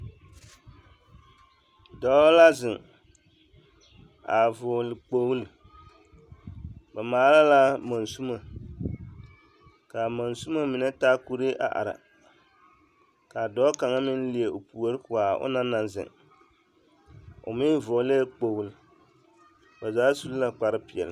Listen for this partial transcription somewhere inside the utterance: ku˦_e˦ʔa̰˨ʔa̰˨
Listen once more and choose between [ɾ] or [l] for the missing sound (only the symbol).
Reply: ɾ